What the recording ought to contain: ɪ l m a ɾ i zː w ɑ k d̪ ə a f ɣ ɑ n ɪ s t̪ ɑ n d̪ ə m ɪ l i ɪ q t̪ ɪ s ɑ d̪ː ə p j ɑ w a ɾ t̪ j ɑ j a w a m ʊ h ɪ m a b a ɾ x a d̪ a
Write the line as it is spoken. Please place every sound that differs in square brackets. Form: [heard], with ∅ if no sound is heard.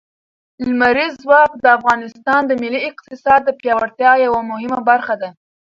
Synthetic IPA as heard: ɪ l m a ɾ i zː w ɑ k d̪ ə a f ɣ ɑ n ɪ s t̪ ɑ n d̪ ə m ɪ l i ɪ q t̪ ɪ s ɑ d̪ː ə p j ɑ w a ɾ t̪ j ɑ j a w a m ʊ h ɪ m a b a ɾ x a d̪ a

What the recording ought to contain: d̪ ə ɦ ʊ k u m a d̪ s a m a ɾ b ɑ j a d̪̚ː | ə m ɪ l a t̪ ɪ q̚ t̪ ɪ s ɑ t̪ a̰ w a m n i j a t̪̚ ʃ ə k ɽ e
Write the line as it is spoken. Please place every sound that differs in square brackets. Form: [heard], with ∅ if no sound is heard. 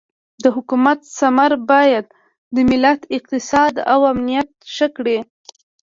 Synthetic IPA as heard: d̪ ə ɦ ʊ k u m a [t̪] s a m a ɾ b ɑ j a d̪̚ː | ə m ɪ l a t̪ ɪ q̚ t̪ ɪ s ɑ [d̪] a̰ w a m n i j a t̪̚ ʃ ə k ɽ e

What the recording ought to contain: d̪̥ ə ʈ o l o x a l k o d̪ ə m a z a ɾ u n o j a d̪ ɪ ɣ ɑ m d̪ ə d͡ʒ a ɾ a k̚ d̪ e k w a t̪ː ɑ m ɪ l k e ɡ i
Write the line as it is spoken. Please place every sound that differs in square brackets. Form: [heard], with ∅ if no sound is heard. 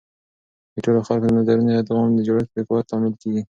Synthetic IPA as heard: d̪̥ ə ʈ o l o x a l k o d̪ ə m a z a ɾ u n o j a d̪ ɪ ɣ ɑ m d̪ ə d͡ʒ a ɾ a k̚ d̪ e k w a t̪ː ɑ m ɪ l k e ɡ i

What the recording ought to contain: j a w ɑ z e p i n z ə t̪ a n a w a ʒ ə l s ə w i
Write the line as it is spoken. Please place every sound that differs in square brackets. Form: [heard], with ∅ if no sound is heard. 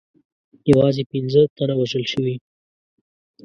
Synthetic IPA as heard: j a w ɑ z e p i n z ə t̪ a n a w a ʒ ə l [ʃ] ə w i

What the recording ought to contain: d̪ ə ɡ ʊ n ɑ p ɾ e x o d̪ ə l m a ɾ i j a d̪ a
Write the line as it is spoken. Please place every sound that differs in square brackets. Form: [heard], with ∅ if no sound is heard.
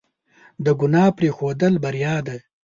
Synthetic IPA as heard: d̪ ə ɡ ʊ n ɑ p ɾ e x o d̪ ə l [b] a ɾ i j [ɑ] d̪ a

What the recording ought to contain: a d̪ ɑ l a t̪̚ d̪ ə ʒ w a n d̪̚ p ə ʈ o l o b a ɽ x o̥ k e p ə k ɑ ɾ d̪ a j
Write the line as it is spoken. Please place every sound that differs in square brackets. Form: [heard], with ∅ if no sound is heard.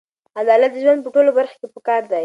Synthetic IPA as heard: a d̪ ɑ l a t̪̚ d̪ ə ʒ w a n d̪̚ p ə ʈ o l o b a [ɾ] x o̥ k e p ə k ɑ ɾ d̪ a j

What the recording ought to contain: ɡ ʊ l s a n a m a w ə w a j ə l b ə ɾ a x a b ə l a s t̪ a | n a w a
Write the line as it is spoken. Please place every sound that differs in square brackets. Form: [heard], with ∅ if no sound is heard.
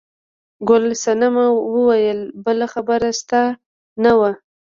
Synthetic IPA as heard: ɡ ʊ l s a n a m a w ə w a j ə l b ə [l] a x a b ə [ɾ] a s t̪ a | n a w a

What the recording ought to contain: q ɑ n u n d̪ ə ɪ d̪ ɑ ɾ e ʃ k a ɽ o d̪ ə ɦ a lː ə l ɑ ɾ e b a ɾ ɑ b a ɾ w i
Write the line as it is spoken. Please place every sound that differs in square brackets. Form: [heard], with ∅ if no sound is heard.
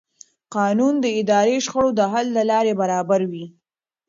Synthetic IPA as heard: q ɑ n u n d̪ ə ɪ d̪ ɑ ɾ e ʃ [x] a ɽ o d̪ ə ɦ a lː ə l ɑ ɾ e b a ɾ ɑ b a ɾ w i

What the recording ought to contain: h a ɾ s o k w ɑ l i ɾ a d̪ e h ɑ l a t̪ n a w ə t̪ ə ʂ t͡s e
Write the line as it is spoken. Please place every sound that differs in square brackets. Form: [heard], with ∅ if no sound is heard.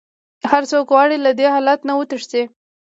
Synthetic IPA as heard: h a ɾ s o k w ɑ [ɽ] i [l] a d̪ e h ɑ l a t̪ n a w ə t̪ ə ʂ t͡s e

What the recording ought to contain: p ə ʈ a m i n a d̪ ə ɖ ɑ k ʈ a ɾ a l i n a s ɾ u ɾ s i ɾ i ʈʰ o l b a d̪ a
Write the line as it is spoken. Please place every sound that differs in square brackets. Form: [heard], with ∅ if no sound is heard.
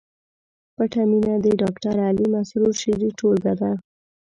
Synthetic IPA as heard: p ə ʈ a m i n a d̪ ə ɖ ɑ k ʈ a ɾ a l i [m] a s ɾ u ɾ [ʃ] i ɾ i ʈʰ o l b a d̪ a

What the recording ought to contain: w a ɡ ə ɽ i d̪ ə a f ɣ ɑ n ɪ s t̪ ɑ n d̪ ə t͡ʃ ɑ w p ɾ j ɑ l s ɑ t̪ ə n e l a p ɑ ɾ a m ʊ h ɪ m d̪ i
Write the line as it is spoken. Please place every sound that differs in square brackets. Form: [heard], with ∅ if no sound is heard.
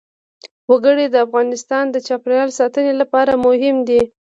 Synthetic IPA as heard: w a ɡ ə ɽ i d̪ ə a f ɣ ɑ n ɪ s t̪ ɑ n d̪ ə t͡ʃ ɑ [∅] p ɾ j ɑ l s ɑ t̪ ə n e l a p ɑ ɾ a m ʊ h ɪ m d̪ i

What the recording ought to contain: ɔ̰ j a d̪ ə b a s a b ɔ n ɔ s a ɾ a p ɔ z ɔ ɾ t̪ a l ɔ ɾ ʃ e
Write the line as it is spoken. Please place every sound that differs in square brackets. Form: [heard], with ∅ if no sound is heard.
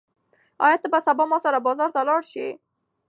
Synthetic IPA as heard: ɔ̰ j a [t̪] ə b a s a b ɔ [m] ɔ s a ɾ a [b] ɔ z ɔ ɾ t̪ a l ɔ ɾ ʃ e

